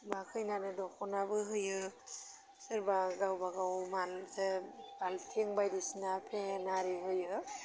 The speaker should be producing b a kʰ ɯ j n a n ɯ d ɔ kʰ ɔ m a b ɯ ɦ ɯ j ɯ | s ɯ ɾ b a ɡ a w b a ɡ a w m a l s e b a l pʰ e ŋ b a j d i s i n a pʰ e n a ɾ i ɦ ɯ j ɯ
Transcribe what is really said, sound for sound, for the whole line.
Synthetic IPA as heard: b a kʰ ɯ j n a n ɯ d ɔ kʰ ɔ n a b ɯ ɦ ɯ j ɯ | s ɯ ɾ b a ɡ a w b a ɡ a w m a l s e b a l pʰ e ŋ b a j d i s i n a pʰ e n a ɾ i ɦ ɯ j ɯ